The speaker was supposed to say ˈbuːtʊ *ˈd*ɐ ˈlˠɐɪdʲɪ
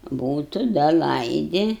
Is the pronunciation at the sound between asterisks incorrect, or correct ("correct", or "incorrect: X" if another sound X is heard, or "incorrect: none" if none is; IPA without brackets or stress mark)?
correct